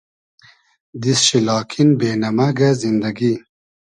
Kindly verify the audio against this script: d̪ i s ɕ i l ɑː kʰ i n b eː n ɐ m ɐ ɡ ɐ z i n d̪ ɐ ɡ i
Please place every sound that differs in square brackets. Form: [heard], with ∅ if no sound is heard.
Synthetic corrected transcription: d̪ i s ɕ i l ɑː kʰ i n b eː n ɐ m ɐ ɡ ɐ z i n d̪ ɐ ɡ i